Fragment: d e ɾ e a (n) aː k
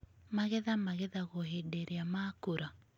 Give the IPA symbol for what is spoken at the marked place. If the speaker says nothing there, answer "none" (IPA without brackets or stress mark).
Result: m